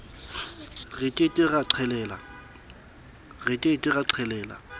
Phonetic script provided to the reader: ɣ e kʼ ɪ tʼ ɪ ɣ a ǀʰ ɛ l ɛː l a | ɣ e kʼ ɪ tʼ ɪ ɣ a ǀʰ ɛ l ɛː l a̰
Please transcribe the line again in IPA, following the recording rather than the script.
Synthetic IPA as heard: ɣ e tʼ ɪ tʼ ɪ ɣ a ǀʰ ɛ l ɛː l a | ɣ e tʼ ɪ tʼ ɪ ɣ a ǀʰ ɛ l ɛː l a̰